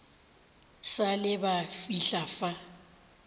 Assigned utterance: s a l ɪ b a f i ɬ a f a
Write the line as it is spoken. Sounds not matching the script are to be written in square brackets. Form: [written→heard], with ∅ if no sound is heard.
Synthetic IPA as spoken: s a l ɪ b a f i ɬ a f a